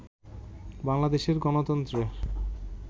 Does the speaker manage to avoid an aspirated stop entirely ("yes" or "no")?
yes